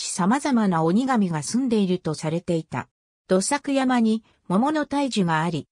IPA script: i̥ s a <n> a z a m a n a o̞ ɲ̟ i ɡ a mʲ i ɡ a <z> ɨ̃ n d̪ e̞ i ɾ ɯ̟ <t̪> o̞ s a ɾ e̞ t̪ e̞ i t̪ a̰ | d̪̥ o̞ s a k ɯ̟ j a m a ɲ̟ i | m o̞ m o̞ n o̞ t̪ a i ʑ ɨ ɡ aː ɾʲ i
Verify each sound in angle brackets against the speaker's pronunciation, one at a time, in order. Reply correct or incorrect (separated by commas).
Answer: incorrect, incorrect, correct